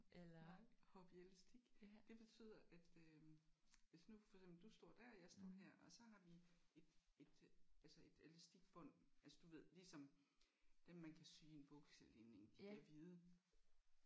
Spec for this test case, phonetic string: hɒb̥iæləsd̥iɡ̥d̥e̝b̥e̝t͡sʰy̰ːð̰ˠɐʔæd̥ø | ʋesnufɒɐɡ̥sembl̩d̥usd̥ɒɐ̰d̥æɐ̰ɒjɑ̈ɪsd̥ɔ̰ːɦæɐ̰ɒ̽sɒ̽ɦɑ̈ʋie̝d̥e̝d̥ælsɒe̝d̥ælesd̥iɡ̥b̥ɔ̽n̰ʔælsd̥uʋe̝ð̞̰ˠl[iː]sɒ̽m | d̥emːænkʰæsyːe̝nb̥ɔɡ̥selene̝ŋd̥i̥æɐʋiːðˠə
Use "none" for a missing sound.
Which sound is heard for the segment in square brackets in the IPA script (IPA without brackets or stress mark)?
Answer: i